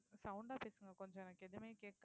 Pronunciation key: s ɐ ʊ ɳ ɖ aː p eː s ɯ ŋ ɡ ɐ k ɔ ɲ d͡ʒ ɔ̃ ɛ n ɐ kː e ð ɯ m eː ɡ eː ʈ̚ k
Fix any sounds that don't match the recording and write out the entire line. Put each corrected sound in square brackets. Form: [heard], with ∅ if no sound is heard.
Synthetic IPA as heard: s ɐ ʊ ɳ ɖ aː p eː s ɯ ŋ ɡ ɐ k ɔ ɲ d͡ʒ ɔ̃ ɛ n ɐ kː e ð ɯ m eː [k] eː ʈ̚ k